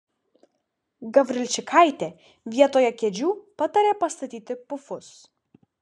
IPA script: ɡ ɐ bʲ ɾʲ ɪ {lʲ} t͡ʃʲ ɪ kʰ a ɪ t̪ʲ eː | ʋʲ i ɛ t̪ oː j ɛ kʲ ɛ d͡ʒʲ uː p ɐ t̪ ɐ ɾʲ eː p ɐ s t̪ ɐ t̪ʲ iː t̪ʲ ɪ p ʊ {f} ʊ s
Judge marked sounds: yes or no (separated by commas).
yes, yes